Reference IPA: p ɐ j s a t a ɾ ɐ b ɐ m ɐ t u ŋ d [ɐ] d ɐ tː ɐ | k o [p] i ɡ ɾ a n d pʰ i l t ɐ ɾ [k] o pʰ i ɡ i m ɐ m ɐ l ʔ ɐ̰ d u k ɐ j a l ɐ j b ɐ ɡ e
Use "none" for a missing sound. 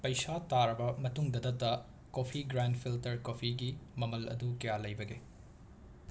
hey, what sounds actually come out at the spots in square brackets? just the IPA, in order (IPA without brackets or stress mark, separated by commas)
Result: ɐ, pʰ, k